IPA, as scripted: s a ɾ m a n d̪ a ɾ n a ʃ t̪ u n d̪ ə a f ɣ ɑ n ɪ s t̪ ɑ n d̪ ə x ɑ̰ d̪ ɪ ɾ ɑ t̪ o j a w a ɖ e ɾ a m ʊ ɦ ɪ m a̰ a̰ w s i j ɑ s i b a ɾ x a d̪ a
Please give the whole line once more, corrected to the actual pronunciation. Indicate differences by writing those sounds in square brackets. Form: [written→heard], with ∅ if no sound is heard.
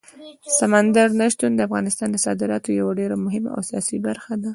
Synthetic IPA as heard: s a [ɾ→∅] m a n d̪ a ɾ n a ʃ t̪ u n d̪ ə a f ɣ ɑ n ɪ s t̪ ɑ n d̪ ə [x→s] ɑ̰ d̪ ɪ ɾ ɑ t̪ o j a w a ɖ e ɾ a m ʊ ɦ ɪ m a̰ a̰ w s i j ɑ s i b a ɾ x a d̪ a